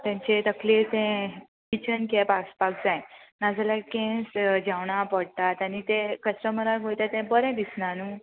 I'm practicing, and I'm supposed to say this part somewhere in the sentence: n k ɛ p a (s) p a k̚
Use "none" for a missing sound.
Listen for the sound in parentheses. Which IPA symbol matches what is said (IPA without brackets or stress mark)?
s